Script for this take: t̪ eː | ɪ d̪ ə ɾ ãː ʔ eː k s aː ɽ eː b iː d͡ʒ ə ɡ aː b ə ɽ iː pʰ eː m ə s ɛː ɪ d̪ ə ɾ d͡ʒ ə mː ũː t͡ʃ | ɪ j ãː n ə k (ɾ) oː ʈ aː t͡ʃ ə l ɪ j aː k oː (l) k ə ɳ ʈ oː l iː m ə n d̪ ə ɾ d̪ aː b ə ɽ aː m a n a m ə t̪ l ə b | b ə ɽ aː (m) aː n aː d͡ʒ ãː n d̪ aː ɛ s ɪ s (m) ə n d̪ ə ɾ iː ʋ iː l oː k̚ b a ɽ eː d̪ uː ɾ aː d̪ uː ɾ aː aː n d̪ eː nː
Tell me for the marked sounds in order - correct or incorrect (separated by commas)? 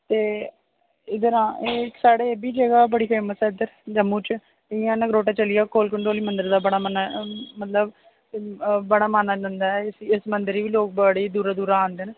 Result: correct, correct, correct, correct